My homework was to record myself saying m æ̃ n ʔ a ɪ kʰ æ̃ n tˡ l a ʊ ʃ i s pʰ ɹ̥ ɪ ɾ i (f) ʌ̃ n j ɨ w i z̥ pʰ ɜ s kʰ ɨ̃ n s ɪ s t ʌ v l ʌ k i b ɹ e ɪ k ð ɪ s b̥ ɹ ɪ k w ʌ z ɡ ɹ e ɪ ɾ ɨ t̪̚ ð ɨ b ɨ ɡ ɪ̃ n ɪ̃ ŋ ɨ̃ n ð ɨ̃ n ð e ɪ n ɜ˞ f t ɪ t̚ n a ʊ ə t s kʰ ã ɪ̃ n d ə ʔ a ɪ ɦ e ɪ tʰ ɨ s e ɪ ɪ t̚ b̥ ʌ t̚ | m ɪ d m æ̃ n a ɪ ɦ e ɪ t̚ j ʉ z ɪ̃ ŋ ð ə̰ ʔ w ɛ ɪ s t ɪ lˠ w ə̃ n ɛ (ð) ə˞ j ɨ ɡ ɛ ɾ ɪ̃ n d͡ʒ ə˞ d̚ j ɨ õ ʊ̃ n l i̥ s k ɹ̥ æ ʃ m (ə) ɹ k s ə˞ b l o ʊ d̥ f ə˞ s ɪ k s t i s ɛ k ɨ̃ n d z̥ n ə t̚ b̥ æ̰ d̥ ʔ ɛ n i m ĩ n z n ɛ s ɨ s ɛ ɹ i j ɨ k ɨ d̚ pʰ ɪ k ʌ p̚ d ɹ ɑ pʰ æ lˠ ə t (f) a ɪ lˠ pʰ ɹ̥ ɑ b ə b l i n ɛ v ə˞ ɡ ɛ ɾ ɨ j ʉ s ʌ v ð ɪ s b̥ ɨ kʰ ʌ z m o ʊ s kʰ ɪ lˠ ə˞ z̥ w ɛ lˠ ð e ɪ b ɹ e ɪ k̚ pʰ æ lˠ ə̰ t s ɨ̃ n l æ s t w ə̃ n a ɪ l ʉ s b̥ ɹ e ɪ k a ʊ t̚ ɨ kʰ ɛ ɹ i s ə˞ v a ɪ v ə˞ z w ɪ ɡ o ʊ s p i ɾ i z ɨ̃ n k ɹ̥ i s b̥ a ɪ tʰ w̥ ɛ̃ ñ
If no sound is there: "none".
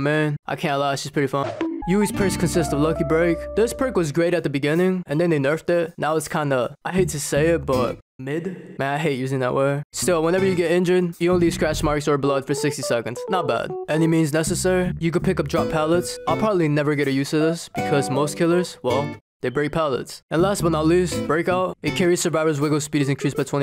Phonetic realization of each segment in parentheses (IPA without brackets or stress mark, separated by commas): f, v, ɑ, s